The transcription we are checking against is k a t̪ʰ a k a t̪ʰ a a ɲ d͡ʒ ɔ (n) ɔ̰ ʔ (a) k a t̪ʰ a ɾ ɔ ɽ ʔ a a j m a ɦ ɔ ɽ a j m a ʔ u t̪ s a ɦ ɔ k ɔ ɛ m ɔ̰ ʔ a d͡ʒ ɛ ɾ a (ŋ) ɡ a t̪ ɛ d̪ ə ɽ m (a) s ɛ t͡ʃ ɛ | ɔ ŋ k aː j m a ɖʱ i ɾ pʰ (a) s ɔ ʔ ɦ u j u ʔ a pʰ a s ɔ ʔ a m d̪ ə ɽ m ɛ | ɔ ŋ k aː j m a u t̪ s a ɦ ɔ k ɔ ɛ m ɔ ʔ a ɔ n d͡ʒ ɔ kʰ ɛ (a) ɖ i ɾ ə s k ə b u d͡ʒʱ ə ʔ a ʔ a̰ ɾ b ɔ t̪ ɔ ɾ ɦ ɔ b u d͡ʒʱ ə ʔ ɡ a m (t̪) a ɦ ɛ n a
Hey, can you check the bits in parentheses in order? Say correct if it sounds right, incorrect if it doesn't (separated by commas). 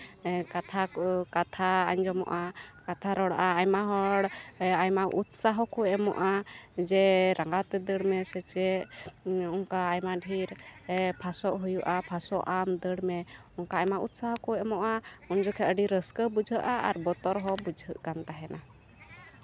incorrect, correct, correct, incorrect, correct, incorrect, correct